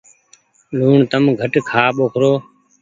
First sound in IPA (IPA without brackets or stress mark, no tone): l